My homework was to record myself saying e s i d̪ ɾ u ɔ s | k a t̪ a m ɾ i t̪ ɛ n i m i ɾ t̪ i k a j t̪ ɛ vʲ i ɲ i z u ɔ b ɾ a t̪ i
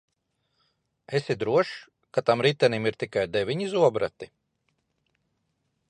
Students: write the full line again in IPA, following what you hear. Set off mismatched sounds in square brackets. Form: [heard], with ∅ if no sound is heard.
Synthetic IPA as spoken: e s i d̪ ɾ u ɔ [ʃ] | k a t̪ a m ɾ i t̪ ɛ n i m i ɾ t̪ i k a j [d̪] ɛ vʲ i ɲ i z u ɔ b ɾ a t̪ i